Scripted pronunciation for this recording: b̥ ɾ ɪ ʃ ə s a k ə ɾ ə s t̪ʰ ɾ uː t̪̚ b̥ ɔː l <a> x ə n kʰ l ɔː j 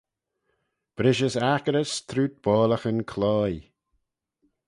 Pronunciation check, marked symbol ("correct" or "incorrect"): incorrect